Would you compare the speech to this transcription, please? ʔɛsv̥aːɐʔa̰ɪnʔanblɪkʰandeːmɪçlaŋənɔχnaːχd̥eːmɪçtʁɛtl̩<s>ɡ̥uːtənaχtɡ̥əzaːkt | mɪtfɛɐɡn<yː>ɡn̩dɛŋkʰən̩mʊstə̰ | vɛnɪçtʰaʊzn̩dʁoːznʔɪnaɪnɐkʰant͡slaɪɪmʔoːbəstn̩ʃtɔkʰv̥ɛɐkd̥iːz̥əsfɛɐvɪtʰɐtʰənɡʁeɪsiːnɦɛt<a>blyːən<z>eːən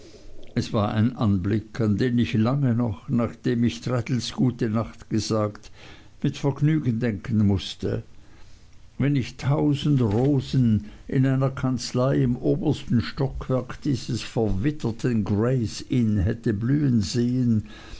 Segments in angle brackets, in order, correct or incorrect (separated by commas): correct, correct, incorrect, correct